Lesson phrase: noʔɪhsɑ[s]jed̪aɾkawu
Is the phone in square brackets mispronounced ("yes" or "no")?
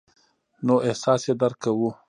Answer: no